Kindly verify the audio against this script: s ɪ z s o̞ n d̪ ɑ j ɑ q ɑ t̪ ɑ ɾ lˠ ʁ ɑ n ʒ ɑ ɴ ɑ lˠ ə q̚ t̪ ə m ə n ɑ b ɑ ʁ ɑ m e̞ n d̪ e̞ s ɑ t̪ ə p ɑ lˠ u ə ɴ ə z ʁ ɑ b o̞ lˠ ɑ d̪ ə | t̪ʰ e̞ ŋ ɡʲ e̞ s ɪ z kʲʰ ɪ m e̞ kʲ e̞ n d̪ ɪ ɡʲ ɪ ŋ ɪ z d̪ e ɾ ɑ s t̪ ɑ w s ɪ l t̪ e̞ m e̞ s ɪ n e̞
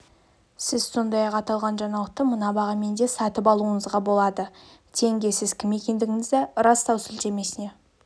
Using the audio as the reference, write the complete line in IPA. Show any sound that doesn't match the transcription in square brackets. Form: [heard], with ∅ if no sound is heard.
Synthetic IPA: s ɪ z s o̞ n d̪ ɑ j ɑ q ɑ t̪ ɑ [∅] lˠ ʁ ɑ n ʒ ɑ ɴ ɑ lˠ ə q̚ t̪ ə m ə n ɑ b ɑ ʁ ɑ m e̞ n d̪ e̞ s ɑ t̪ ə p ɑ lˠ u ə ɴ ə z ʁ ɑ b o̞ lˠ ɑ d̪ ə | t̪ʰ e̞ ŋ ɡʲ e̞ s ɪ z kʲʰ ɪ m e̞ kʲ e̞ n d̪ ɪ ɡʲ ɪ ŋ ɪ z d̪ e ɾ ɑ s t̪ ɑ w s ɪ l t̪ e̞ m e̞ s ɪ n e̞

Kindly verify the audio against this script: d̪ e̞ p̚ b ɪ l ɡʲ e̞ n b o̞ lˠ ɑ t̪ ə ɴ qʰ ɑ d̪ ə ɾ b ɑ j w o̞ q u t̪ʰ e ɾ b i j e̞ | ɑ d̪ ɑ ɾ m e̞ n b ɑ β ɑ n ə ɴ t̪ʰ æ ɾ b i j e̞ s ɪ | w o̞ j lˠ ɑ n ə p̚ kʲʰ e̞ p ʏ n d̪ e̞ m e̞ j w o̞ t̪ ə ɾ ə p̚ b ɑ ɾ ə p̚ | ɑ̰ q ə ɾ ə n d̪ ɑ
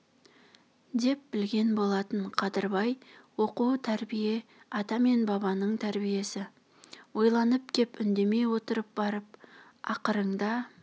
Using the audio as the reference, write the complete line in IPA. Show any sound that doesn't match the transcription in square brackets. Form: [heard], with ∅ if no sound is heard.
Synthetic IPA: d̪ e̞ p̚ b ɪ l ɡʲ e̞ n b o̞ lˠ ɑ t̪ ə ɴ qʰ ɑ d̪ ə ɾ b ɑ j w o̞ q u t̪ʰ [æ] ɾ b i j e̞ | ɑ [t̪] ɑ [∅] m e̞ n b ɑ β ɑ n ə ɴ t̪ʰ æ ɾ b i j e̞ s ɪ | w o̞ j lˠ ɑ n ə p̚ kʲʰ e̞ p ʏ n d̪ e̞ m e̞ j w o̞ t̪ ə ɾ ə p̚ b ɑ ɾ ə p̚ | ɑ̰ q ə ɾ ə [ɴ] d̪ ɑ

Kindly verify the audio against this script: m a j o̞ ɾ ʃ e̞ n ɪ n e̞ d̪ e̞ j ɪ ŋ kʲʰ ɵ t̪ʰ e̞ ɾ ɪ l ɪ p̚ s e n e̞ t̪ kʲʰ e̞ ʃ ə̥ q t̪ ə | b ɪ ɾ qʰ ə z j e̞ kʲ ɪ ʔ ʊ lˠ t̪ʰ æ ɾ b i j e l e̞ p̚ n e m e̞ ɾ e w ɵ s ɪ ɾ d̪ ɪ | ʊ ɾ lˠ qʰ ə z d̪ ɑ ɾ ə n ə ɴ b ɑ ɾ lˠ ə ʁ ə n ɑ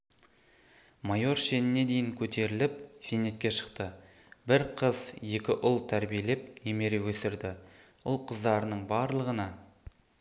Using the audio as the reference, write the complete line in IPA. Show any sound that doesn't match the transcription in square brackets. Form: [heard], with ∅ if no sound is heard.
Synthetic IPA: m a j o̞ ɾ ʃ e̞ n ɪ n e̞ d̪ e̞ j ɪ ŋ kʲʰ ɵ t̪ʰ e̞ ɾ ɪ l ɪ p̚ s e n e̞ t̪ [kʲ] e̞ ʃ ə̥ q t̪ ə | b ɪ ɾ qʰ ə z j e̞ kʲ ɪ ʔ ʊ lˠ t̪ʰ æ ɾ b i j e l e̞ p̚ n e m e̞ ɾ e w ɵ s ɪ ɾ d̪ ɪ | ʊ [∅] lˠ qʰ ə z d̪ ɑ ɾ ə n ə ɴ b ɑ ɾ lˠ ə ʁ ə n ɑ

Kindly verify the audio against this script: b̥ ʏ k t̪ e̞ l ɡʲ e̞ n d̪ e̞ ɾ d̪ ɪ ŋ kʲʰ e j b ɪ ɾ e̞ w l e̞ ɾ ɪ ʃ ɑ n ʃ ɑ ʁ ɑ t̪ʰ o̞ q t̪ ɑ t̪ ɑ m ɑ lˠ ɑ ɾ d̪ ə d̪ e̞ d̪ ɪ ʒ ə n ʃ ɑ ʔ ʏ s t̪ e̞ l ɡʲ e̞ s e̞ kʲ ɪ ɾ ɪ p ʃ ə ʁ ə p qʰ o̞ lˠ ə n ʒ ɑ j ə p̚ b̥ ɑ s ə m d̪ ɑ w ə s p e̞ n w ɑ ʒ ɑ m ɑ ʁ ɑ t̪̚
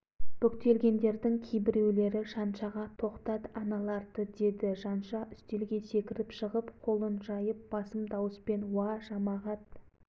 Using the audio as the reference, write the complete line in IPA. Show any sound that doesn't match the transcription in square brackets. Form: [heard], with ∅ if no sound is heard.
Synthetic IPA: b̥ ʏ k t̪ e̞ l ɡʲ e̞ n d̪ e̞ ɾ d̪ ɪ ŋ kʲʰ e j b ɪ ɾ e̞ w l e̞ ɾ ɪ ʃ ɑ n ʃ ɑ ʁ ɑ t̪ʰ o̞ q t̪ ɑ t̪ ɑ [n] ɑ lˠ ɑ ɾ d̪ ə d̪ e̞ d̪ ɪ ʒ [ɑ] n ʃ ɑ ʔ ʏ s t̪ e̞ l ɡʲ e̞ s e̞ kʲ ɪ ɾ ɪ p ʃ ə ʁ ə p qʰ o̞ lˠ ə n ʒ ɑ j ə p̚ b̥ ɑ s ə m d̪ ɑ w ə s p e̞ n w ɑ ʒ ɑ m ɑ ʁ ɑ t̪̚

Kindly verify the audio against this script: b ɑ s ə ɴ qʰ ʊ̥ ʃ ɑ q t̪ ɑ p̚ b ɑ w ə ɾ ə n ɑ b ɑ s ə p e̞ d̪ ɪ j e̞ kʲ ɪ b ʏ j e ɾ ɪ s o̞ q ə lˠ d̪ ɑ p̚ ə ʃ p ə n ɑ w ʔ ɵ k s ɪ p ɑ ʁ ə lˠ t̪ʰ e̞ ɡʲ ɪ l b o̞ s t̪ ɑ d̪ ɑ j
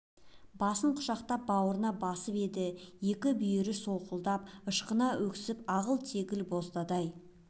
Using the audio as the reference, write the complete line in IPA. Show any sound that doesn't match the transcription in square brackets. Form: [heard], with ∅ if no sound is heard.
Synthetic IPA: b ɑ s ə ɴ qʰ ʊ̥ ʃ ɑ q t̪ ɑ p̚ b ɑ w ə ɾ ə n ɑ b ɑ s ə p e̞ d̪ ɪ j e̞ kʲ ɪ b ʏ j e ɾ ɪ s o̞ q ə lˠ d̪ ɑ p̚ ə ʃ [q] ə n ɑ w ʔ ɵ k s ɪ p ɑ ʁ ə lˠ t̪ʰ e̞ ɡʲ ɪ l b o̞ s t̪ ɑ d̪ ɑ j

